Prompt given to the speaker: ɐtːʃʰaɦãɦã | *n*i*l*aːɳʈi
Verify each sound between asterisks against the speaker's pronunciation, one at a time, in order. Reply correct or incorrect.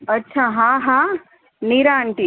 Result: correct, incorrect

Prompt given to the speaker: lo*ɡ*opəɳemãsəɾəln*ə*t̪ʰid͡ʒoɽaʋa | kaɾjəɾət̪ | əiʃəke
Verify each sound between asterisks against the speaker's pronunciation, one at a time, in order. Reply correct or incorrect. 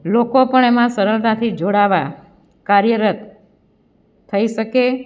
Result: incorrect, incorrect

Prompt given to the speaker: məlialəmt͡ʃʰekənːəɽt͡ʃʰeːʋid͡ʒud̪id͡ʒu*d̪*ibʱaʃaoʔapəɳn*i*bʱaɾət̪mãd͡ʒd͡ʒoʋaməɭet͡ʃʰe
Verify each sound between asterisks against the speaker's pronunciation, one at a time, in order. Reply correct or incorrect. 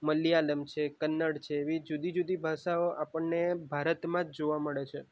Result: correct, incorrect

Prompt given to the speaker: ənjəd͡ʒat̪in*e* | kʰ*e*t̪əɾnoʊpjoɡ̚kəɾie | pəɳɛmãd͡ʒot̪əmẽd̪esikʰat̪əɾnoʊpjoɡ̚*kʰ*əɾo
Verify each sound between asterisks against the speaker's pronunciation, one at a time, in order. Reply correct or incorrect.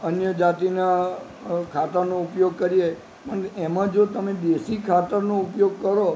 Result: incorrect, incorrect, incorrect

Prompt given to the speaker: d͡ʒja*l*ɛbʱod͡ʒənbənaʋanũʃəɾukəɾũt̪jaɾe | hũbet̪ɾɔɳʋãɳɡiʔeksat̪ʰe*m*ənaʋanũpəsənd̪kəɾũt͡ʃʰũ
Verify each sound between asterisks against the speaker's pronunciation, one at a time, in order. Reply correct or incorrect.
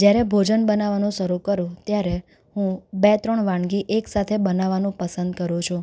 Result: incorrect, incorrect

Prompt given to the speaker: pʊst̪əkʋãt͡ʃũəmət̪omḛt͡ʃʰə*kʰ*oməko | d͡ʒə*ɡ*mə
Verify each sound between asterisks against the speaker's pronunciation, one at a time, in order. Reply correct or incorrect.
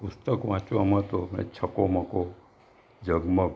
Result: incorrect, correct

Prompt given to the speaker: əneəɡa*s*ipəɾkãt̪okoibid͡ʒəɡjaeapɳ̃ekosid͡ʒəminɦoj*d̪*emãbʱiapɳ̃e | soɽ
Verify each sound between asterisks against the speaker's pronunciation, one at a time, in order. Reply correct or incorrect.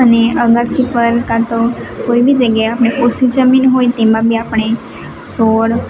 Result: correct, incorrect

